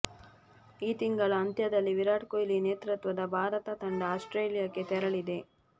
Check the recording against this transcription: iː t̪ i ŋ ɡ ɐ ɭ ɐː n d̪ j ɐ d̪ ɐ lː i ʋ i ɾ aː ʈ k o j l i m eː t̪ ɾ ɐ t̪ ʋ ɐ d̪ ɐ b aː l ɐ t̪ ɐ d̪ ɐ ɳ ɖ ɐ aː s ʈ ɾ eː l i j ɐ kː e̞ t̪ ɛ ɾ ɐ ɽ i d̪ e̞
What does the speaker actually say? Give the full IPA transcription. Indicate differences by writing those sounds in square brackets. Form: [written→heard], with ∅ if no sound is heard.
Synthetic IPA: iː t̪ i ŋ ɡ ɐ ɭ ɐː n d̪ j ɐ d̪ ɐ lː i ʋ i ɾ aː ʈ k o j l i [m→n] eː t̪ ɾ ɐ t̪ ʋ ɐ d̪ ɐ b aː [l→ɾ] ɐ t̪ ɐ [d̪→t̪] ɐ ɳ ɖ ɐ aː s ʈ ɾ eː l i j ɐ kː e̞ t̪ ɛ ɾ ɐ [ɽ→ɭ] i d̪ e̞

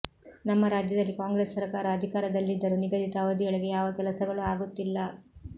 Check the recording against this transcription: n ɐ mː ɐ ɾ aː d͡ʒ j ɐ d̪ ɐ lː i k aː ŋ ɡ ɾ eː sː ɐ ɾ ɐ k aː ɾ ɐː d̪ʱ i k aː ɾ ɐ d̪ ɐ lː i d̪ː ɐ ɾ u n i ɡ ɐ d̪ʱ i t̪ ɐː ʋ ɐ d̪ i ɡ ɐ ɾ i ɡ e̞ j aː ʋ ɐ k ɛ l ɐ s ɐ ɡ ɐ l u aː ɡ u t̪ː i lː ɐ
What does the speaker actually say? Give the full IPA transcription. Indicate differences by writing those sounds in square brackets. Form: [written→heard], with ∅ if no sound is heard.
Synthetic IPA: n ɐ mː ɐ ɾ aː d͡ʒ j ɐ d̪ ɐ lː i k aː ŋ ɡ ɾ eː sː ɐ ɾ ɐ k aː ɾ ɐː d̪ʱ i k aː ɾ ɐ d̪ ɐ lː i d̪ː ɐ ɾ u n i ɡ ɐ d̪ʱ i t̪ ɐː ʋ ɐ d̪ i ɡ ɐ [ɾ→ɭ] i ɡ e̞ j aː ʋ ɐ k ɛ l ɐ s ɐ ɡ ɐ [l→ɭ] u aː ɡ u t̪ː i lː ɐ

